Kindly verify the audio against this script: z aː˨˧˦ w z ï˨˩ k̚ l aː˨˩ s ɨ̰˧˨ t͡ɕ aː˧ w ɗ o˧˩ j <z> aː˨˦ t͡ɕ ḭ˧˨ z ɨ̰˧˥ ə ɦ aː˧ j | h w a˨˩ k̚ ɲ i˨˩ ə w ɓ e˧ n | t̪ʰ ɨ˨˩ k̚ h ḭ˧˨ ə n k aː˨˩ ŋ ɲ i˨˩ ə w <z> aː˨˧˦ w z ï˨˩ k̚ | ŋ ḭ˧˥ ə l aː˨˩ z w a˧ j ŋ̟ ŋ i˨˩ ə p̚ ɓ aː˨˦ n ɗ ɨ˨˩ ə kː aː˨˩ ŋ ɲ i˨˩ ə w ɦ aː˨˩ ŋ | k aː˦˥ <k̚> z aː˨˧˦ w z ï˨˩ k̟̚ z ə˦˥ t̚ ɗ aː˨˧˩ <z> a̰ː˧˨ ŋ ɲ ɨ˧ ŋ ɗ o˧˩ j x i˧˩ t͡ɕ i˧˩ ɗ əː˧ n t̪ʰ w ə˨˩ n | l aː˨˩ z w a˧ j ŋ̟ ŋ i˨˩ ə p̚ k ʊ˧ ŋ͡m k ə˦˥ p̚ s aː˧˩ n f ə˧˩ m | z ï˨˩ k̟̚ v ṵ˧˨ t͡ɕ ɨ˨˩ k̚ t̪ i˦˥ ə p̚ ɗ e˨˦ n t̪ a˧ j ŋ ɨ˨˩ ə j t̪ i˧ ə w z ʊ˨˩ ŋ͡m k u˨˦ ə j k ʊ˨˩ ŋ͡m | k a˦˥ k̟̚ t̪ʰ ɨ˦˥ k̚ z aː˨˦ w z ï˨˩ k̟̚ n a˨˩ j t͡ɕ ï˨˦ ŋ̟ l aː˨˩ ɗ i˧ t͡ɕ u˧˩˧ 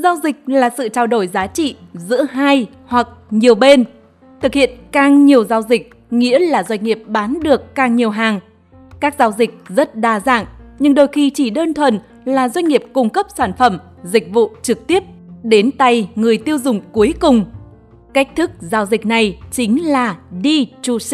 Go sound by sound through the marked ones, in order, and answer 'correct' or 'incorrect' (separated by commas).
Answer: correct, correct, correct, correct